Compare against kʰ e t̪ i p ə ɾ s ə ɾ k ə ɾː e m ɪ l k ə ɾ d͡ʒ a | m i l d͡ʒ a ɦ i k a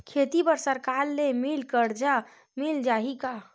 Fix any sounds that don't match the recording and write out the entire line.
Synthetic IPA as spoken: kʰ e t̪ i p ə ɾ s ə ɾ k a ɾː e m i l k ə ɾ d͡ʒ a | m i l d͡ʒ a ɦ i k a